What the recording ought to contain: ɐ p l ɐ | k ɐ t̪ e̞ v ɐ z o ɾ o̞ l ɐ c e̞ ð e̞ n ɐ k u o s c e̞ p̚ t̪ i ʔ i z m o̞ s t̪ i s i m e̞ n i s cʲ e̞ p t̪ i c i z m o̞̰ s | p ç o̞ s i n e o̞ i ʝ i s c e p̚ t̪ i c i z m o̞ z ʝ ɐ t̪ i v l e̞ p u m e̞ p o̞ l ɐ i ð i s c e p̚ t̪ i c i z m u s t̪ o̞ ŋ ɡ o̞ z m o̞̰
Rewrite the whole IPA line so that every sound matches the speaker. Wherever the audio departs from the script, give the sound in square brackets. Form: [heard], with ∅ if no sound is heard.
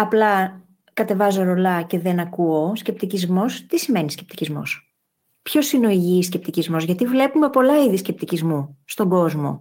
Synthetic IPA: ɐ p l ɐ | k ɐ t̪ e̞ v ɐ z o ɾ o̞ l ɐ c e̞ ð e̞ n ɐ k u o s c e̞ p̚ t̪ i [c] i z m o̞ s t̪ i s i m e̞ n i s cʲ e̞ p t̪ i c i z m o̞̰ s | p ç o̞ s i n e o̞ i ʝ i s c e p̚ t̪ i c i z m o̞ z ʝ ɐ t̪ i v l e̞ p u m e̞ p o̞ l ɐ i ð i s c e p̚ t̪ i c i z m u s t̪ o̞ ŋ ɡ o̞ z m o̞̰